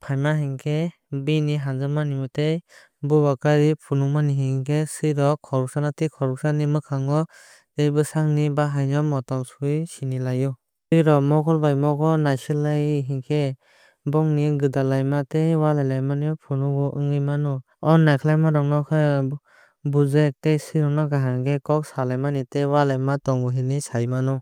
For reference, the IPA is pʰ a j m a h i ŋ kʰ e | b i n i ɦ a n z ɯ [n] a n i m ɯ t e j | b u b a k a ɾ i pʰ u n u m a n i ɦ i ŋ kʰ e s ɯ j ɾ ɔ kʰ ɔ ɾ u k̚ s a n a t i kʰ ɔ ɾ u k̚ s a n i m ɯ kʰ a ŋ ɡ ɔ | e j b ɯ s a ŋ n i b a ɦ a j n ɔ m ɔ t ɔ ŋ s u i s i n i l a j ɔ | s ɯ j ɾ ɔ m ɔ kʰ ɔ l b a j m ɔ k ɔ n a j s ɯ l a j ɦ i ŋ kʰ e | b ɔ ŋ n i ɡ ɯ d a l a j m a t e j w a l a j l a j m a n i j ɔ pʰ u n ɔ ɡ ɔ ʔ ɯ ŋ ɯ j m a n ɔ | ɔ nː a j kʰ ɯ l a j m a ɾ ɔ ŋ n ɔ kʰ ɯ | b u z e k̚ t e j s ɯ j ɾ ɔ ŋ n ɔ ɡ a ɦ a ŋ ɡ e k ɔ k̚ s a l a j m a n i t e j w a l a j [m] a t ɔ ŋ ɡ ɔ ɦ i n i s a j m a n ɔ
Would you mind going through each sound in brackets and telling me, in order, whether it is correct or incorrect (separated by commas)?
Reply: incorrect, correct